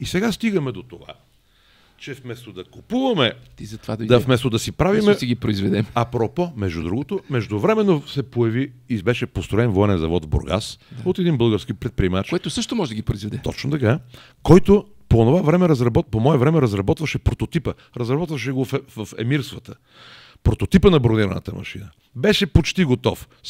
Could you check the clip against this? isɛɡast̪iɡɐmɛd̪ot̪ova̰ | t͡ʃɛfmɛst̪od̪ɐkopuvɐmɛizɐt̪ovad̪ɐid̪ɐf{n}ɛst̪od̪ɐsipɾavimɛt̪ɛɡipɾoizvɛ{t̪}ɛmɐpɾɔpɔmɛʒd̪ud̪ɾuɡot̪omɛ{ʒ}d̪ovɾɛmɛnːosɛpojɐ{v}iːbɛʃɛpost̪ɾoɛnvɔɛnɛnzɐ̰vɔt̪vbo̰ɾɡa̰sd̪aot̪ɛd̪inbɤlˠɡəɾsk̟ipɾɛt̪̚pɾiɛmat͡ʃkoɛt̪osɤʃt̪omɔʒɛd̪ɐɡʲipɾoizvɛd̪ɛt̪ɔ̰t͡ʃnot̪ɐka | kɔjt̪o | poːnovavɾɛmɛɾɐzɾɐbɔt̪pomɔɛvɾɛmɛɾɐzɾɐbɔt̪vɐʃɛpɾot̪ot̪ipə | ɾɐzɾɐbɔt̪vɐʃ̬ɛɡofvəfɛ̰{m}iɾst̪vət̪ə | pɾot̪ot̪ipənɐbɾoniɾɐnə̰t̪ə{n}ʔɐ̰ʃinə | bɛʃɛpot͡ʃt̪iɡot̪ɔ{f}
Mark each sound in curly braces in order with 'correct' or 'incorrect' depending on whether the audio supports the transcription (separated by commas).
incorrect, incorrect, correct, correct, correct, incorrect, correct